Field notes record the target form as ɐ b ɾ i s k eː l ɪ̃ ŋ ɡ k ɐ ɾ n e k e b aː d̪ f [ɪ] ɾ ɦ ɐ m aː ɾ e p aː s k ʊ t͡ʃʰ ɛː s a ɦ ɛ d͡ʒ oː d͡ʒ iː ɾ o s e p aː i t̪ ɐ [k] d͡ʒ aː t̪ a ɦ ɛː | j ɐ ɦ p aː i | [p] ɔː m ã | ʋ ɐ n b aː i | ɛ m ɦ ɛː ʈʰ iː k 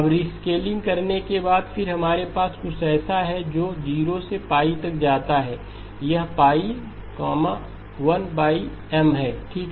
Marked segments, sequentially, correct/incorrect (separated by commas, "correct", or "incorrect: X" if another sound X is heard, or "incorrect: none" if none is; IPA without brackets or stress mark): correct, correct, incorrect: k